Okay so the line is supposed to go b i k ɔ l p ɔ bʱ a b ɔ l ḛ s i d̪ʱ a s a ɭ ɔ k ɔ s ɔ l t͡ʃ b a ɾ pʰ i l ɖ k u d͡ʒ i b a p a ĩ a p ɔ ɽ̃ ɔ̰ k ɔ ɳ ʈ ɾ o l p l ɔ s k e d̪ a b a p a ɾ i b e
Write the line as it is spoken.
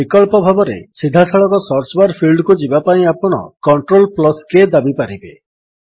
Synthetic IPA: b i k ɔ l p ɔ bʱ a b ɔ ɾ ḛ s i d̪ʱ a s a ɭ ɔ k ɔ s ɔ ɾ t͡ʃ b a ɾ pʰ i l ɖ k u d͡ʒ i b a p a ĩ a p ɔ ɽ̃ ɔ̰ k ɔ ɳ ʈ ɾ o l p l ɔ s k e d̪ a b i p a ɾ i b e